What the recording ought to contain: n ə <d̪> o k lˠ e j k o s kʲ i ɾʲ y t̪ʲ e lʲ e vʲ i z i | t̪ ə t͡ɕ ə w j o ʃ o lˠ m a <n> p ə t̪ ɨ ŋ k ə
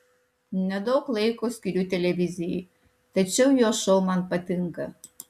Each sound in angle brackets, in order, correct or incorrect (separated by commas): correct, correct